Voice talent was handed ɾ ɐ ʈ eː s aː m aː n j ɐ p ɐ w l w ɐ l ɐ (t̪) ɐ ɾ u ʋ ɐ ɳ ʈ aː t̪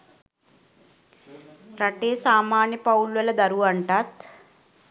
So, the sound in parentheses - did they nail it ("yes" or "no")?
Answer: no